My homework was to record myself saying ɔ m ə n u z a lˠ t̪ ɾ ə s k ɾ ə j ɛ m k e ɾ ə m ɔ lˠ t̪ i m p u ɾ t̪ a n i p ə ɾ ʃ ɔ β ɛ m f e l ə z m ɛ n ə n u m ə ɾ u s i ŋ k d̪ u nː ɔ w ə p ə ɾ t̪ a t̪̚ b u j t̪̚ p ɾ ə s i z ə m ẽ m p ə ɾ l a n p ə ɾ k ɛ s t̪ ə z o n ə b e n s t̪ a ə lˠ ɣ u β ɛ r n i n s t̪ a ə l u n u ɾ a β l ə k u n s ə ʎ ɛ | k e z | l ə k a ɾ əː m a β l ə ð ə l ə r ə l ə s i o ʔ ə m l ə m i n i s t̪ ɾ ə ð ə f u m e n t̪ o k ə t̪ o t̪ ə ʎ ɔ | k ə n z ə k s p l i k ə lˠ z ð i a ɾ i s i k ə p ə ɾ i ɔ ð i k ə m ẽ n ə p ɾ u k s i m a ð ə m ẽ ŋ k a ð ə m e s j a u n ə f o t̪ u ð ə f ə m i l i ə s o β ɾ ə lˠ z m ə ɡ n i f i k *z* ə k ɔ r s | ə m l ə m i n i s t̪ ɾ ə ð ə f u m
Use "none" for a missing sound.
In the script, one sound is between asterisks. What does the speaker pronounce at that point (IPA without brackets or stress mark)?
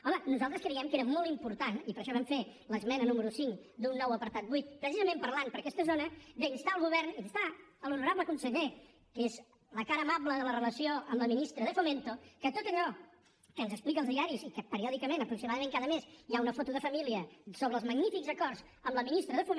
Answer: z